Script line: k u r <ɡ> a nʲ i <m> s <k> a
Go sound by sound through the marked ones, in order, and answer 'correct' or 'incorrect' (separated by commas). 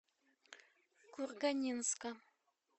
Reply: correct, incorrect, correct